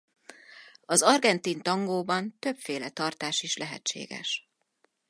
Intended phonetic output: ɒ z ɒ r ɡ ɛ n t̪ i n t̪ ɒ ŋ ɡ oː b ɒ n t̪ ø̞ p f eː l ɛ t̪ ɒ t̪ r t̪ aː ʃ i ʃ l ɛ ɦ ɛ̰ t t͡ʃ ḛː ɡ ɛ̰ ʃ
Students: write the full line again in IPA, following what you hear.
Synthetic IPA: ɒ z ɒ r ɡ ɛ n t̪ i n t̪ ɒ ŋ ɡ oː b ɒ n t̪ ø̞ p f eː l ɛ t̪ ɒ r t̪ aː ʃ i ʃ l ɛ ɦ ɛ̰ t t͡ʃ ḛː ɡ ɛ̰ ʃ